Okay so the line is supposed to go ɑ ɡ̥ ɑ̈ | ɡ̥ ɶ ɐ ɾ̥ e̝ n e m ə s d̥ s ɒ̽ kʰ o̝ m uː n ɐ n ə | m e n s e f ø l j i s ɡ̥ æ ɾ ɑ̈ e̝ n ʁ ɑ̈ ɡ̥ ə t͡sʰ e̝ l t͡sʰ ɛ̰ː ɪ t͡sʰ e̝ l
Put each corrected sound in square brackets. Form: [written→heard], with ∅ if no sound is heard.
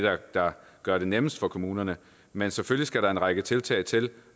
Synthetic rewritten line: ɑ [ɡ̥→d̥] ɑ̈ | ɡ̥ ɶ ɐ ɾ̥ e̝ n e m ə s d̥ [s→f] ɒ̽ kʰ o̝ m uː n ɐ n ə | m e n s e f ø l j i s ɡ̥ æ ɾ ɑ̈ e̝ n ʁ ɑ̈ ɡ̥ ə t͡sʰ e̝ l t͡sʰ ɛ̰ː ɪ t͡sʰ e̝ l